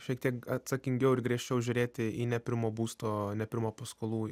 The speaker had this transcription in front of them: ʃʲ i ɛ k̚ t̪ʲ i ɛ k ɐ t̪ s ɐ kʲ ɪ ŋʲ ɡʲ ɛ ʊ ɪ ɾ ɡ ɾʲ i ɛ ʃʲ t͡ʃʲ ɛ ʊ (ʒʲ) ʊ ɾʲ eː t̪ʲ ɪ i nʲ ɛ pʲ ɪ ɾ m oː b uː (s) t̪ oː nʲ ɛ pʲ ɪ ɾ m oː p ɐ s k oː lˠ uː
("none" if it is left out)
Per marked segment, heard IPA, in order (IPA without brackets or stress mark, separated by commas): ʒʲ, s